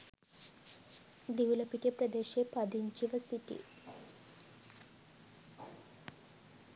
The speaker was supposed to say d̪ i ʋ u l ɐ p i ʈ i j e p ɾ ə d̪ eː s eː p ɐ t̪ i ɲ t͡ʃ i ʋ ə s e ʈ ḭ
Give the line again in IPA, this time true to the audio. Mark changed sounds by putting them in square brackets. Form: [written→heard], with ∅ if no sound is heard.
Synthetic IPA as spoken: d̪ i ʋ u l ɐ p i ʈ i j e p ɾ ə d̪ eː [s→ʃ] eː p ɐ [t̪→d̪] i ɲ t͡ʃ i ʋ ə s [e→i] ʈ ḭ